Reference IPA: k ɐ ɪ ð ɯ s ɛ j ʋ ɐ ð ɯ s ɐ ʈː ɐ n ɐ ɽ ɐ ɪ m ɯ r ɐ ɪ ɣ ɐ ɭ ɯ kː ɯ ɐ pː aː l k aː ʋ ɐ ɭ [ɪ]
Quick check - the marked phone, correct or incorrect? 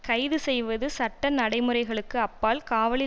correct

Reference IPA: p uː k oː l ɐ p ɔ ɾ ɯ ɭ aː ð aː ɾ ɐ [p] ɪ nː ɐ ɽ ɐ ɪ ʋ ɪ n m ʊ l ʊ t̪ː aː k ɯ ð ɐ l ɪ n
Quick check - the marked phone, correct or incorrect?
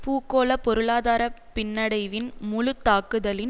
correct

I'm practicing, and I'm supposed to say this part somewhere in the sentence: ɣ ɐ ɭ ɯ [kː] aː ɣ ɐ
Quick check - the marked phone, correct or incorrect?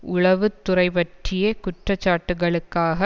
correct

